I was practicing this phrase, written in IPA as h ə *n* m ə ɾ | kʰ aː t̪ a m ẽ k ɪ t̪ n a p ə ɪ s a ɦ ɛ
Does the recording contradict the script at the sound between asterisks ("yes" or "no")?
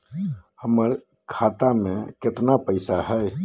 yes